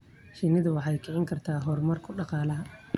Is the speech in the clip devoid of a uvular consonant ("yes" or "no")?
no